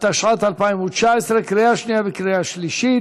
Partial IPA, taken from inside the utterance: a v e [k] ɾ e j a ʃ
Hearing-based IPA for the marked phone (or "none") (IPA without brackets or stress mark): k